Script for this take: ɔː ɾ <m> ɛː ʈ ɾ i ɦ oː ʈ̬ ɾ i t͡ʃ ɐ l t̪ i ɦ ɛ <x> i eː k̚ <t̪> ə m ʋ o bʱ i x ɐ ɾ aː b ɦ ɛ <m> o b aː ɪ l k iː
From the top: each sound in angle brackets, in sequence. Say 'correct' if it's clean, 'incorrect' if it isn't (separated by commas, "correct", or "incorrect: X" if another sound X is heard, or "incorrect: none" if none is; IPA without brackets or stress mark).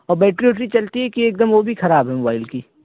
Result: incorrect: b, incorrect: k, incorrect: d̪, correct